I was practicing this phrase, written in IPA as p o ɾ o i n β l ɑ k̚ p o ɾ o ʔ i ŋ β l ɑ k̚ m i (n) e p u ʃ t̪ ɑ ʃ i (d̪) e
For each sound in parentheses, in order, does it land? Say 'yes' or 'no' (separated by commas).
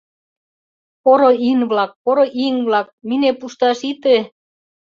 yes, no